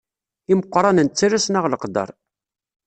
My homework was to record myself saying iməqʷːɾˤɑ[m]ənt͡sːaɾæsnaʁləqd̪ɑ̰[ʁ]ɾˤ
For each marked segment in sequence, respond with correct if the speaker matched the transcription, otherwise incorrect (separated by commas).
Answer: incorrect, incorrect